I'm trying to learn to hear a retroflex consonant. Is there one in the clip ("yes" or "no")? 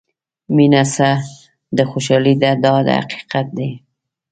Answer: no